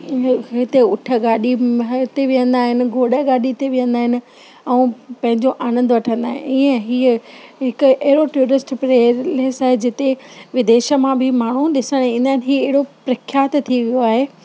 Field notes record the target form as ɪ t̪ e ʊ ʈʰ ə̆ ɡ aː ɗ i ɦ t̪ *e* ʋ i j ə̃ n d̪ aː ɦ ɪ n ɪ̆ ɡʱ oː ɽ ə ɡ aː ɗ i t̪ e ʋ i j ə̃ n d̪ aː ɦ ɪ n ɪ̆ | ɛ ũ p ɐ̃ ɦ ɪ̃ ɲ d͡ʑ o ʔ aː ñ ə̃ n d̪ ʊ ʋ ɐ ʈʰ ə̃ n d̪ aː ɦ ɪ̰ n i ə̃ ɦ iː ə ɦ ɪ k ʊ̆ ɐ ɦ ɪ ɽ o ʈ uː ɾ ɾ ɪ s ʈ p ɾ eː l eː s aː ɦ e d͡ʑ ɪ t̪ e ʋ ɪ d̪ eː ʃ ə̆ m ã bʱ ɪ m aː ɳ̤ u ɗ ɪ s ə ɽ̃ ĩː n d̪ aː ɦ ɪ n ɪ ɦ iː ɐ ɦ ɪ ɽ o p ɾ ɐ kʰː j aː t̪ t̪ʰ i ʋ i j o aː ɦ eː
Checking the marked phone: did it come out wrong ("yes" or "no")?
no